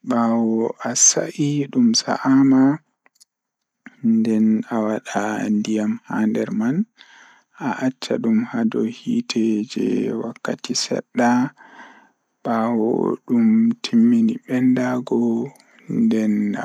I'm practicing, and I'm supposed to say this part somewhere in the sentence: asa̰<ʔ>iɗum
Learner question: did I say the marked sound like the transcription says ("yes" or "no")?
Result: yes